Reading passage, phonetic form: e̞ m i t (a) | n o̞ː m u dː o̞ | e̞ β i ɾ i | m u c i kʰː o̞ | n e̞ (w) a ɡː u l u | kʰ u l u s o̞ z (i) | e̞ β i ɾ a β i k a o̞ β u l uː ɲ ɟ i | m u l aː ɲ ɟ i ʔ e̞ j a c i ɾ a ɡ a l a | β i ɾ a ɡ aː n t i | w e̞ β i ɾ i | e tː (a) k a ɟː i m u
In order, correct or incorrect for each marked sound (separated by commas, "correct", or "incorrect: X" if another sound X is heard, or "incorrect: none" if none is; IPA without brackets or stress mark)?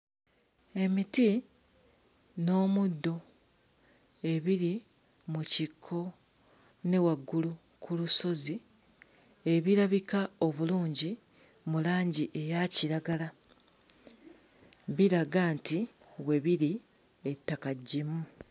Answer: incorrect: i, correct, correct, correct